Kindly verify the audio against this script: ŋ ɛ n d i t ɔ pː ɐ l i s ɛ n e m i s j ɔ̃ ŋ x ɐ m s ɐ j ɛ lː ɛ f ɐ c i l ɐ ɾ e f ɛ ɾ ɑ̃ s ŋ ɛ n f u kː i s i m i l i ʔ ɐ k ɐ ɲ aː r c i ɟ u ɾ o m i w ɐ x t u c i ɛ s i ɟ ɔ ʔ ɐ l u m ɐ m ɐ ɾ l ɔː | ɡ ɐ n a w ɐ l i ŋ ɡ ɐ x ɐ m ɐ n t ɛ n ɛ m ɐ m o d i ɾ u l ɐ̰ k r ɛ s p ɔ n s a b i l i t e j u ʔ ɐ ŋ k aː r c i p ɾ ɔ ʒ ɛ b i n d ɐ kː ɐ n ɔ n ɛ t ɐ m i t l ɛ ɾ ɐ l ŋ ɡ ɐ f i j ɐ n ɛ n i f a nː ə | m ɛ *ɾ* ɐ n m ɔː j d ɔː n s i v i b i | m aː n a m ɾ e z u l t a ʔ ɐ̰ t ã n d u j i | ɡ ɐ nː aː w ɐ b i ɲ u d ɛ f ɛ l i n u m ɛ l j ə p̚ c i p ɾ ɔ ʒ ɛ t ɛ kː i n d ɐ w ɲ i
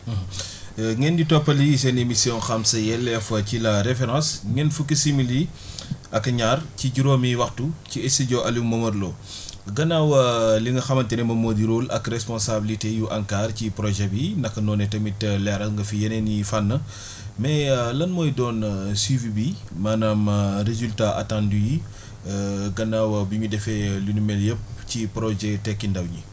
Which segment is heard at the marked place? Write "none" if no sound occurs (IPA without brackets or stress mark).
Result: l